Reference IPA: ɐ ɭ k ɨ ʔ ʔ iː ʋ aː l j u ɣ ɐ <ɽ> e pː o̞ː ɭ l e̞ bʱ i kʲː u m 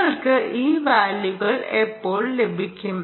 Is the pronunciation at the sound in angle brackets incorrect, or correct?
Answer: incorrect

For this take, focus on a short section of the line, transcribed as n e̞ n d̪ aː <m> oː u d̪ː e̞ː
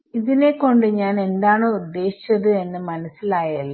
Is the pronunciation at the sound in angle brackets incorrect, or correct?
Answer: incorrect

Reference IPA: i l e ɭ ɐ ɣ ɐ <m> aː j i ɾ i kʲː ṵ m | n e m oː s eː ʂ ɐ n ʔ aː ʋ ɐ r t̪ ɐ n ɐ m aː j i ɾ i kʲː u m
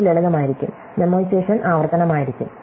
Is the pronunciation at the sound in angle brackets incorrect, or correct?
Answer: correct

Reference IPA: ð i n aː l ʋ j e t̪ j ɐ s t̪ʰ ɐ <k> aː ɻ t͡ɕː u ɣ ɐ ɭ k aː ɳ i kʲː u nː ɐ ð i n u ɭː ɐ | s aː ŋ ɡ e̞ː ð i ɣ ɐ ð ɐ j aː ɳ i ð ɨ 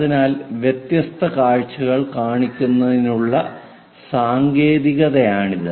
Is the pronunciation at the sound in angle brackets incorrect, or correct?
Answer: correct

